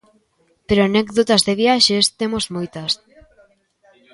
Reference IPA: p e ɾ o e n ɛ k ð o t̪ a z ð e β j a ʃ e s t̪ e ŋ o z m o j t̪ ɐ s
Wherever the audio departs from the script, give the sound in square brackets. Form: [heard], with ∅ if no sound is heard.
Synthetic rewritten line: p e ɾ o [a] n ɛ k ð o t̪ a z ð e β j a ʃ e s t̪ e [m] o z m o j t̪ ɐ s